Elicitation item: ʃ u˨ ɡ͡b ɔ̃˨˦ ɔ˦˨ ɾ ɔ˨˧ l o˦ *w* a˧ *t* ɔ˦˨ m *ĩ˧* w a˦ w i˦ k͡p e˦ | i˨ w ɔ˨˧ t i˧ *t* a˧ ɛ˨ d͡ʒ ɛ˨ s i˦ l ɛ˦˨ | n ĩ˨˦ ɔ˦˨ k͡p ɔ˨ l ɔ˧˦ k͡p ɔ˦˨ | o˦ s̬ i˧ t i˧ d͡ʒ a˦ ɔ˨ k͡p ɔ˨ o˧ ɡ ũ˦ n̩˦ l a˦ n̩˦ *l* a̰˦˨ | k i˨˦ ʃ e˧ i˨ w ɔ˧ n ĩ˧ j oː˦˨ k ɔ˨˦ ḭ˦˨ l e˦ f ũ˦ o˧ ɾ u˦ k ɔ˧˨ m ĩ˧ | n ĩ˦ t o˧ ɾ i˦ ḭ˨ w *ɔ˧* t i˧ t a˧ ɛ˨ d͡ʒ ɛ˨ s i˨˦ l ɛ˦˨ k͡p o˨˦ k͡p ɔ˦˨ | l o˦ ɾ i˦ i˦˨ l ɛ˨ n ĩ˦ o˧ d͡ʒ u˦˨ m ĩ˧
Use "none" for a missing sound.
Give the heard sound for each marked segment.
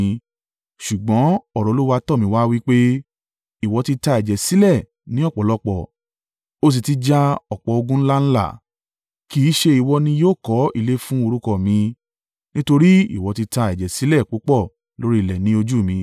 w, t, ĩ˧, t, l, ɔ˧

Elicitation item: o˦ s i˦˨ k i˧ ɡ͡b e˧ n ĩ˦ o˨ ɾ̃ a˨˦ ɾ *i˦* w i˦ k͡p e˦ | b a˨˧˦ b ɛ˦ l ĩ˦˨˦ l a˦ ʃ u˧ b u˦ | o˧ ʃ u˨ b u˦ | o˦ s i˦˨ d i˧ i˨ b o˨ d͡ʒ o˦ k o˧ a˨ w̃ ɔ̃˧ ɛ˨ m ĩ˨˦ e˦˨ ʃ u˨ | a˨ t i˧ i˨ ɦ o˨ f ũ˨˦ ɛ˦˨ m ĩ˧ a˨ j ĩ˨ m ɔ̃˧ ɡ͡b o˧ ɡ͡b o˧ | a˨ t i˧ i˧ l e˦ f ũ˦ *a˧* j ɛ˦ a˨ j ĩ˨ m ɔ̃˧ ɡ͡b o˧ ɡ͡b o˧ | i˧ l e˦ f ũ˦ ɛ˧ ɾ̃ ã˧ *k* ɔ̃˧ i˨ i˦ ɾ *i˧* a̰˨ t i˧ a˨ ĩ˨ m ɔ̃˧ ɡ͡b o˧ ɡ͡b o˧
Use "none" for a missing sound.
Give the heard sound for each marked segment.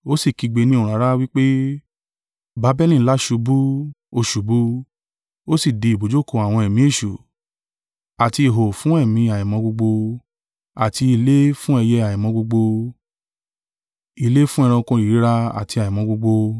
a˦, ɛ˧, k, a˧

